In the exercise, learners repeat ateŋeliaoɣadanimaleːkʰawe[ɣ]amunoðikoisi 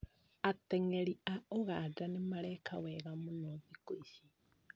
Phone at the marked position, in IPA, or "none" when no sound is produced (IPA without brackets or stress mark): ɣ